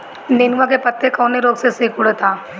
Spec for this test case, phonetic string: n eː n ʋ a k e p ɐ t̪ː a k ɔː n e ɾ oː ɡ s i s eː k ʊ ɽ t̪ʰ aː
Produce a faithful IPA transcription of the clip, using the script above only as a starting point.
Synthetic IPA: n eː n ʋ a k e p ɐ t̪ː e k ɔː n e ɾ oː ɡ s e s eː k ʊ ɽ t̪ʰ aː

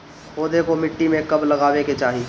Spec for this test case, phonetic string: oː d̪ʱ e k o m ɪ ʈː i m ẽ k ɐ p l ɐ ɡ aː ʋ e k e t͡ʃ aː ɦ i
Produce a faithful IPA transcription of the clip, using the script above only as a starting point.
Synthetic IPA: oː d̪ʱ e k o m ɪ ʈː i m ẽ k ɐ b l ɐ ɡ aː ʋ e k e t͡ʃ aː ɦ i

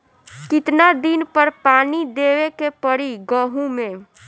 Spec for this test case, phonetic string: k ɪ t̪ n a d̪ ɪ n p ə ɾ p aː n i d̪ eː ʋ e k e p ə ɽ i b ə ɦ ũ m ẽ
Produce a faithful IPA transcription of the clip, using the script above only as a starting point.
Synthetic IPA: k ɪ t̪ n a d̪ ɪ n p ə ɾ p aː n i d̪ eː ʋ e k e p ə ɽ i ɡ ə ɦ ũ m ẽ

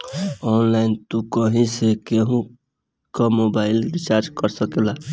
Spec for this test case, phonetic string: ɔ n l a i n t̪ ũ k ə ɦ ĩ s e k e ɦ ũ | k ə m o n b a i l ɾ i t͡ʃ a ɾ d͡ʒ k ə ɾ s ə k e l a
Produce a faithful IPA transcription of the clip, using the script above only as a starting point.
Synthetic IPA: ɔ n l a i n t̪ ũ k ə ɦ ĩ s e k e ɦ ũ | k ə m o b a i l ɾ i t͡ʃ a ɾ d͡ʒ k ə ɾ s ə k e l a

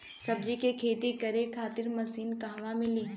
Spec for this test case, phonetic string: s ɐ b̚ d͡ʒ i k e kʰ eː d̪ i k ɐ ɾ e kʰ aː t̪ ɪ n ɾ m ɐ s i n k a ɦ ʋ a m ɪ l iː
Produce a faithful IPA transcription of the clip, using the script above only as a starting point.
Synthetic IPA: s ɐ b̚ d͡ʒ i k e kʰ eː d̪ i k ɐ ɾ e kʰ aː t̪ ɪ ɾ m ɐ s iː n k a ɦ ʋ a m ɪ l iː

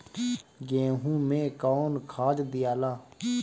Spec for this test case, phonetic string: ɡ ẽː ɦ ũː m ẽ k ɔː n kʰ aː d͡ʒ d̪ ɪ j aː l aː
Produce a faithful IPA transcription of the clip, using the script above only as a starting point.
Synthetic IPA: ɡ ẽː ɦ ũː m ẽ k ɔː n kʰ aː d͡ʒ d̪ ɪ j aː l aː

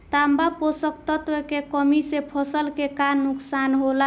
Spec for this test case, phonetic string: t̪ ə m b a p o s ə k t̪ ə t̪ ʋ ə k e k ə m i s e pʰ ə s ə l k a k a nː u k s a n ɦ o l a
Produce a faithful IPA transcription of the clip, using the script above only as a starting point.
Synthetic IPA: t̪ a m b a p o s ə k t̪ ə t̪ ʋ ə k e k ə m i s e pʰ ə s ə l k e k a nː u k s a n ɦ o l a

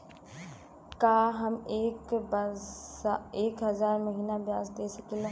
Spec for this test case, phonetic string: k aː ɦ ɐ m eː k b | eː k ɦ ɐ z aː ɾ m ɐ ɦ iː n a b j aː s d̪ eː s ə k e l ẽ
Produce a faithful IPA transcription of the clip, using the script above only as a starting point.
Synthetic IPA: k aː ɦ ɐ m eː k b | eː k ɦ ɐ z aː ɾ m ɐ ɦ iː n a b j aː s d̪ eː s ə k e l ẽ

